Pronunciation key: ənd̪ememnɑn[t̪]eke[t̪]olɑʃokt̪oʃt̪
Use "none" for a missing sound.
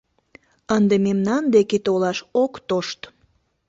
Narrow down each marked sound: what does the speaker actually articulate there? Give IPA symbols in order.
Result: d̪, t̪

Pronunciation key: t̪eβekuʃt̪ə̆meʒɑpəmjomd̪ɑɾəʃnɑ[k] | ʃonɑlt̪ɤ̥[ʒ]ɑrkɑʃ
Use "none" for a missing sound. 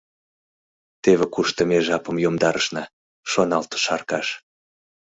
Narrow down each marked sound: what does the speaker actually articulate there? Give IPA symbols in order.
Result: none, ʃ

